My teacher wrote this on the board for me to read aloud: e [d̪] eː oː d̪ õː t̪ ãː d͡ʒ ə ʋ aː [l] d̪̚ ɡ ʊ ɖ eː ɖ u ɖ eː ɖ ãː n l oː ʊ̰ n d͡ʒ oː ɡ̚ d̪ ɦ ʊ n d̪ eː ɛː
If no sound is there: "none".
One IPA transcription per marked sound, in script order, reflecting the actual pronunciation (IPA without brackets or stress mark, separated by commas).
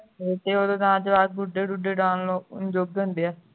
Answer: t̪, none